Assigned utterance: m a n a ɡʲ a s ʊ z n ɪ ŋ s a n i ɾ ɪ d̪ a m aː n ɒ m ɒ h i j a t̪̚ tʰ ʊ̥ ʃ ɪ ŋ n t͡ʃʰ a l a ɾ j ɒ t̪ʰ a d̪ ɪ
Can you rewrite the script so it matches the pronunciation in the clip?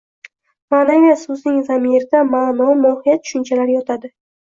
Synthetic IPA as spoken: m a n a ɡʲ a s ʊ z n ɪ ŋ z a m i ɾ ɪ d̪ a m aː n ɒ m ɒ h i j a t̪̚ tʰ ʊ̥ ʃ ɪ n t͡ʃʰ a l a ɾ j ɒ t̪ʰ a d̪ ɪ